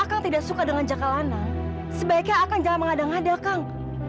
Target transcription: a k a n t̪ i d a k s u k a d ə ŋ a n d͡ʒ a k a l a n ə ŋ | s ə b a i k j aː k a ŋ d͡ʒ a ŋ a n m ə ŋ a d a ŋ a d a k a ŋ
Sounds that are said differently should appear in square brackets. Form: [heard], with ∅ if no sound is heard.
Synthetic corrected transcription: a k a [ŋ] t̪ i d a k s u k a d ə ŋ a n d͡ʒ a k a l a n [a] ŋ | s ə b a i k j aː k a ŋ d͡ʒ a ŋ a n m ə ŋ a d a ŋ a d a k a ŋ